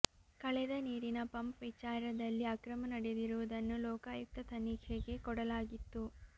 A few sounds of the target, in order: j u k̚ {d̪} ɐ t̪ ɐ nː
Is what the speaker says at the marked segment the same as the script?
no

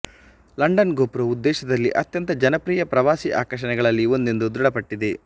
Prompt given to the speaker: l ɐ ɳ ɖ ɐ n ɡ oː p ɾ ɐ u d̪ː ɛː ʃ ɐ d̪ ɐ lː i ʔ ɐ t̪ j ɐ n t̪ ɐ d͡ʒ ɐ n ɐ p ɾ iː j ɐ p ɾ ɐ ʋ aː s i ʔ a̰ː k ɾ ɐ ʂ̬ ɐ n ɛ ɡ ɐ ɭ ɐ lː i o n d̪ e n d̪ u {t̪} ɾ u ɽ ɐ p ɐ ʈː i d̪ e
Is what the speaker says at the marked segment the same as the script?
no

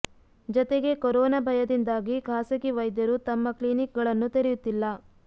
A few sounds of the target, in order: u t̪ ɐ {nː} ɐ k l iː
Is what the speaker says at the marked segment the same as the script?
no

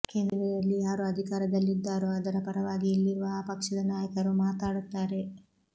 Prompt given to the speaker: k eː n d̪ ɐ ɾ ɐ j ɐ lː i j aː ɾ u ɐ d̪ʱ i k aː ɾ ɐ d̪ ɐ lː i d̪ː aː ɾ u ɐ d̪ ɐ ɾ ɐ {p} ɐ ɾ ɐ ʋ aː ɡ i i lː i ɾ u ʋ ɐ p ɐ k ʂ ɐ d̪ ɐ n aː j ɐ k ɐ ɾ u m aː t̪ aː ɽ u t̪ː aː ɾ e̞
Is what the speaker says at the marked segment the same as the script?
yes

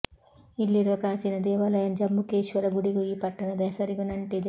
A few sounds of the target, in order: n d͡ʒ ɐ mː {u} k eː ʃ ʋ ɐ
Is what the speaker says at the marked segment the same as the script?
yes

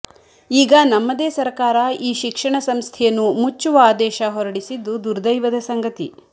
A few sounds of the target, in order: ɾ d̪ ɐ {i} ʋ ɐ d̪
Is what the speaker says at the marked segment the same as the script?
no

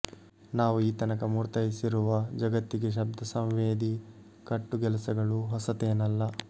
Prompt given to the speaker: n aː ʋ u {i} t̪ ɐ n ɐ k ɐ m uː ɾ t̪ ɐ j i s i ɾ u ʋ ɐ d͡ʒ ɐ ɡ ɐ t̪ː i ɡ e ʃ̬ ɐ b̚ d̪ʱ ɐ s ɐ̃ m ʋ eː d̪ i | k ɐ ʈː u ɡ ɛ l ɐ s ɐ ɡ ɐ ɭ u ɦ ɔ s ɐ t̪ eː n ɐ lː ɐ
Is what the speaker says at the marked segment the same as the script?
no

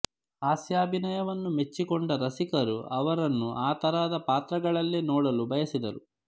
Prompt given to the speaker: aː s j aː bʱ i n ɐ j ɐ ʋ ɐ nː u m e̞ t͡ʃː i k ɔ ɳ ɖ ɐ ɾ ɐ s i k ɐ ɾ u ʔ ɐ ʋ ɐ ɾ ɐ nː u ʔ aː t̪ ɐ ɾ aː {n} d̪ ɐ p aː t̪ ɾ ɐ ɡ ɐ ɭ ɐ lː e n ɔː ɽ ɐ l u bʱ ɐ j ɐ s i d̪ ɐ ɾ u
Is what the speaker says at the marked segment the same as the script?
no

